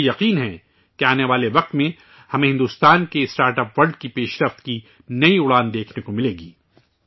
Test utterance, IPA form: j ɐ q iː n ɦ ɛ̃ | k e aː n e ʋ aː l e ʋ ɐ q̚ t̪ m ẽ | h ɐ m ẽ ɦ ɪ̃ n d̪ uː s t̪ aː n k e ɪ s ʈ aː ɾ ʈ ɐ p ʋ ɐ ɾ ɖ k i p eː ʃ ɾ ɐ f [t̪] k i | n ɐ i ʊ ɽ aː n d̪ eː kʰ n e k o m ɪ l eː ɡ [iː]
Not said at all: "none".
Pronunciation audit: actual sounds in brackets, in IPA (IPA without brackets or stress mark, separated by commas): t̪, iː